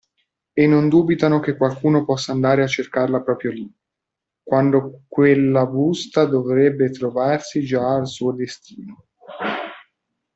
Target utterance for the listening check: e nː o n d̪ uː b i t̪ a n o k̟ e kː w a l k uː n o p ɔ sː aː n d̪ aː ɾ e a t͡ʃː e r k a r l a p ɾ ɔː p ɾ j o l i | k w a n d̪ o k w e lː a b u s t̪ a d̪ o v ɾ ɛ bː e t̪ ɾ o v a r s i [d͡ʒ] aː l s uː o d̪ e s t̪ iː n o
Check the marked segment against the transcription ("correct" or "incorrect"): correct